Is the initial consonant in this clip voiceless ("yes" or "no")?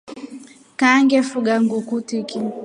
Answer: yes